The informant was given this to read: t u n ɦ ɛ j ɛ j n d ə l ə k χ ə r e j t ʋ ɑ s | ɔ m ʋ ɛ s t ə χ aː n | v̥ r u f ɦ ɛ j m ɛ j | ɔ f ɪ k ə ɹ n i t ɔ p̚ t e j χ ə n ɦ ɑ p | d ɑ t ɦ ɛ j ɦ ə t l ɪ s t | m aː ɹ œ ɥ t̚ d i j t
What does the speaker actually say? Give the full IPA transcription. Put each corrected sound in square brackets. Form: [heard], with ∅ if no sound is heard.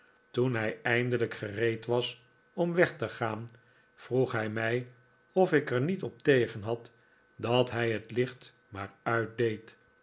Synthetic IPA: t u n ɦ ɛ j ɛ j n d ə l ə k χ ə r e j t ʋ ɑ s | ɔ m ʋ ɛ [χ] t ə χ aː n | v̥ r u [χ] ɦ ɛ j m ɛ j | ɔ f ɪ k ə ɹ n i t ɔ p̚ t e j χ ə n ɦ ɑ [t] | d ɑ t ɦ ɛ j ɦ ə t l ɪ [χ] t | m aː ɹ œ ɥ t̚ d [e] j t